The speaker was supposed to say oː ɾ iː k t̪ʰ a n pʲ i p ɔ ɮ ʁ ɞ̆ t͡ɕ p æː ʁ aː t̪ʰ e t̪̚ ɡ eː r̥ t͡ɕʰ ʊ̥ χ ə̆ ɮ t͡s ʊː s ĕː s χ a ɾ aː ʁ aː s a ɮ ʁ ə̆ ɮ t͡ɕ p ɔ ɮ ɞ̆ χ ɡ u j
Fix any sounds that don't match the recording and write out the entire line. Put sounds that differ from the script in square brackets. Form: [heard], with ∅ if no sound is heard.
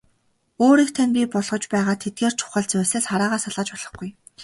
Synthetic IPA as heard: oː ɾ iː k t̪ʰ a n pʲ i p ɔ ɮ ʁ ɞ̆ t͡ɕ p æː ʁ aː t̪ʰ e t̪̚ ɡ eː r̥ t͡ɕʰ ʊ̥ χ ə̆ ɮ t͡s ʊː s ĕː s χ a ɾ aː ʁ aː s a ɮ ʁ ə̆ [∅] t͡ɕ p ɔ ɮ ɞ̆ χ ɡ u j

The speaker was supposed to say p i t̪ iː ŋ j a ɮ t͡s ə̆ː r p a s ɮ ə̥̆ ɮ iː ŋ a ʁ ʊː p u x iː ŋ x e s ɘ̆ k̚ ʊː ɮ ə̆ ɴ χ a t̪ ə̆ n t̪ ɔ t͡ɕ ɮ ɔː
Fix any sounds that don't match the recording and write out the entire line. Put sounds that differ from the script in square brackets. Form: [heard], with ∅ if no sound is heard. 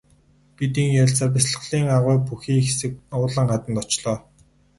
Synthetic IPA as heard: p i t̪ iː ŋ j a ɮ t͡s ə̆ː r p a s ɮ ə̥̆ ɮ iː ŋ a ʁ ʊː p u x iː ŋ x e s ɘ̆ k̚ ʊː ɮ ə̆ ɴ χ a t̪ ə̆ n t̪ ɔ t͡ɕ ɮ ɔː

